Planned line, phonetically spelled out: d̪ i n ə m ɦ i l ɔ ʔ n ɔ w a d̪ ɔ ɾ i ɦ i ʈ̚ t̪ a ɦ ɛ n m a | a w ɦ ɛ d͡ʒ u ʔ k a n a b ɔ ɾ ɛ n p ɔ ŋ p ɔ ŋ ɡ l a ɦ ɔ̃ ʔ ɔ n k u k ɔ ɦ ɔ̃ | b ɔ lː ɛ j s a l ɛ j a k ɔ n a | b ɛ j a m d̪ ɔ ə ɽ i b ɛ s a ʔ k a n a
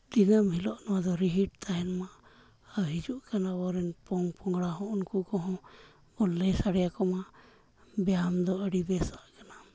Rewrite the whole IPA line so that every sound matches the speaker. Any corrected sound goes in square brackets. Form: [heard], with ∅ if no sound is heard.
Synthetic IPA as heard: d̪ i n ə m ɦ i l ɔ ʔ n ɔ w a d̪ ɔ ɾ i ɦ i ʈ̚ t̪ a ɦ ɛ n m a | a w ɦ [i] d͡ʒ u ʔ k a n a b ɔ ɾ ɛ n p ɔ ŋ p ɔ ŋ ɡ [ɽ] a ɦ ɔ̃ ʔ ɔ n k u k ɔ ɦ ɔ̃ | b ɔ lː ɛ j s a [ɽ] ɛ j a k ɔ [m] a | b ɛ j a m d̪ ɔ ə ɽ i b ɛ s a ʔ k a n a